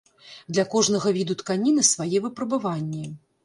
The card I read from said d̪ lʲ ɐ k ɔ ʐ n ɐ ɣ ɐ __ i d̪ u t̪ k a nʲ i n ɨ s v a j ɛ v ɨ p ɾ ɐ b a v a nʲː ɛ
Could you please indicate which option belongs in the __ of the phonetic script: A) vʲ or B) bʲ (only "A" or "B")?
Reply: A